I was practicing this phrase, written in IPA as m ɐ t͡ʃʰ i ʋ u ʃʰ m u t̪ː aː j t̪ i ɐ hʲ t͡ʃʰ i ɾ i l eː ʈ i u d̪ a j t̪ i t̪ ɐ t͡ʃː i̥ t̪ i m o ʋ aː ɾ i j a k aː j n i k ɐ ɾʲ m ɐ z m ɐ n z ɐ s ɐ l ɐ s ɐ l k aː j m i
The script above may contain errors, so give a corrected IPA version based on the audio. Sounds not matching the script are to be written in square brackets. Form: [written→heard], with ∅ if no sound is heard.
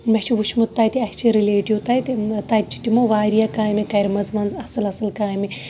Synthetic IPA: m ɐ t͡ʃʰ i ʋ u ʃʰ m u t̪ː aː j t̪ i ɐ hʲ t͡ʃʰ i ɾ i l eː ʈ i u [d̪→t̪] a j t̪ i t̪ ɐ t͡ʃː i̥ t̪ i m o ʋ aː ɾ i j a k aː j [n→m] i k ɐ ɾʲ m ɐ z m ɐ n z ɐ s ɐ l ɐ s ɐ l k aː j m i

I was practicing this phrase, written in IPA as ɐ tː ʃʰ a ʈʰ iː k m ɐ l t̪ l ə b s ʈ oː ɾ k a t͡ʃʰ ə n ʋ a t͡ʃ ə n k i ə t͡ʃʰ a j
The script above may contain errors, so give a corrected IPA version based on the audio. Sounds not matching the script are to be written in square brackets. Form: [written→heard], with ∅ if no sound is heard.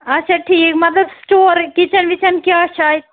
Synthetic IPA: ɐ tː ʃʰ a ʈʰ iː k m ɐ [l→∅] t̪ l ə b s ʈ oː ɾ k [a→i] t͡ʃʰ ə n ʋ [a→i] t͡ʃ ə n k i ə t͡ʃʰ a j

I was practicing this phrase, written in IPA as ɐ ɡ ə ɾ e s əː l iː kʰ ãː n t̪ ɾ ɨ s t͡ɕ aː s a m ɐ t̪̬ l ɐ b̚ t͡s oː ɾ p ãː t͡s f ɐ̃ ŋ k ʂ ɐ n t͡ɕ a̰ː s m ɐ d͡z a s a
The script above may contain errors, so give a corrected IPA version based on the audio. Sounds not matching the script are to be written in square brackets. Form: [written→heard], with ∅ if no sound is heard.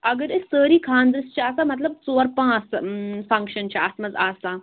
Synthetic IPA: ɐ ɡ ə ɾ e s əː [l→ɾ] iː kʰ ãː n [t̪→d̪] ɾ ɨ s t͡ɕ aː s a m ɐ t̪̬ l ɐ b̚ t͡s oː ɾ p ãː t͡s f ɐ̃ ŋ k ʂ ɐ n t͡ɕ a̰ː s m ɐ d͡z a s a

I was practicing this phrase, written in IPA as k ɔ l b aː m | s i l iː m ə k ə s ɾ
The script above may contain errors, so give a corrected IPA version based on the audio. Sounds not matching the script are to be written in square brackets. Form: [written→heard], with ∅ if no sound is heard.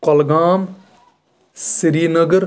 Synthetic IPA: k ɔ l [b→ɡ] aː m | s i [l→ɾ] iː [m→n] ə [k→ɡ] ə [s→∅] ɾ

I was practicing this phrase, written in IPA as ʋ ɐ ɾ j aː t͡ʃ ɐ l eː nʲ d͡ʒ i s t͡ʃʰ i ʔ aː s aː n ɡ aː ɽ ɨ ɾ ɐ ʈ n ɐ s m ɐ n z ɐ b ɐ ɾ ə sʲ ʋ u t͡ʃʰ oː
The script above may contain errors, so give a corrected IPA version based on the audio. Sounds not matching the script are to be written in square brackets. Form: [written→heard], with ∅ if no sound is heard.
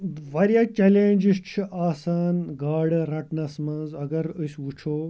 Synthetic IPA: ʋ ɐ ɾ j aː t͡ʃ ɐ l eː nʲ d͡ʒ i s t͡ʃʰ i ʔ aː s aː n ɡ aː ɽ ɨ ɾ ɐ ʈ n ɐ s m ɐ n z ɐ [b→ɡ] ɐ ɾ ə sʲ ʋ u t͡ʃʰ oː

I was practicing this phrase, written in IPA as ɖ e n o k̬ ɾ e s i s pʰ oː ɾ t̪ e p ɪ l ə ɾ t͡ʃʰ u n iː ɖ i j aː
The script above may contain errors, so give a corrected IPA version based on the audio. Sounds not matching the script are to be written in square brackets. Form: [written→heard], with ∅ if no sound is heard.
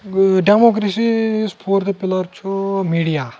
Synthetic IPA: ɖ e [n→m] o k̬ ɾ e s i s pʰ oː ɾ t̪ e p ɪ l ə ɾ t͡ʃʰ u [n→m] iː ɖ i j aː

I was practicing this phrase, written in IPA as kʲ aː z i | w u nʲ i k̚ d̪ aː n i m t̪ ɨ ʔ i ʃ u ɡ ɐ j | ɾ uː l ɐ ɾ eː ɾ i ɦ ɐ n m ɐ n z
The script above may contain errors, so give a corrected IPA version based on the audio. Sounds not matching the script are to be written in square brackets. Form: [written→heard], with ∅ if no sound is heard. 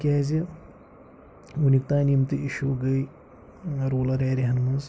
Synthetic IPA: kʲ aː z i | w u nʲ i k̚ [d̪→t̪] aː n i m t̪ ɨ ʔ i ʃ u ɡ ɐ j | ɾ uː l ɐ ɾ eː ɾ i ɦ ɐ n m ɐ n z

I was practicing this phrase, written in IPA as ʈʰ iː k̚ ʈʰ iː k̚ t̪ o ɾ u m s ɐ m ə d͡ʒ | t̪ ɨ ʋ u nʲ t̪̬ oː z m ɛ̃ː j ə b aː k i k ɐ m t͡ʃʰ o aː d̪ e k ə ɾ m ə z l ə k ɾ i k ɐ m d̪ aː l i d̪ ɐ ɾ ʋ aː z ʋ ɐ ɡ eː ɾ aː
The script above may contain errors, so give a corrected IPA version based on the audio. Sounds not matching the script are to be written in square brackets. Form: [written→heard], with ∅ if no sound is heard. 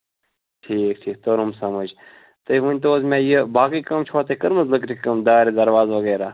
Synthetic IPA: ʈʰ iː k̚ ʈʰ iː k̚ t̪ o ɾ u m s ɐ m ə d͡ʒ | t̪ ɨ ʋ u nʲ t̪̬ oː z m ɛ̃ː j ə b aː k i k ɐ m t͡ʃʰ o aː [d̪→t̪] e k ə ɾ m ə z l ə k ɾ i k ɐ m d̪ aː [l→ɾ] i d̪ ɐ ɾ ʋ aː z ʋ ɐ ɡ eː ɾ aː

